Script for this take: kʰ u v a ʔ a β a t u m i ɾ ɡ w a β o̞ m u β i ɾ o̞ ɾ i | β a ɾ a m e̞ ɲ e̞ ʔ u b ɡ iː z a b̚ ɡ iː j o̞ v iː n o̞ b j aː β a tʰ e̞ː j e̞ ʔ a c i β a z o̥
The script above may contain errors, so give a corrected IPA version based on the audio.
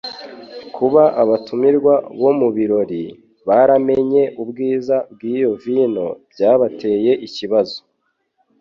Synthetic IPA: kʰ u β a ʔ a β a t u m i ɾ ɡ w a β o̞ m u β i ɾ o̞ ɾ i | β a ɾ a m e̞ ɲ e̞ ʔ u b ɡ iː z a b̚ ɡ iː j o̞ v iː n o̞ b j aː β a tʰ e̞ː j e̞ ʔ i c i β a z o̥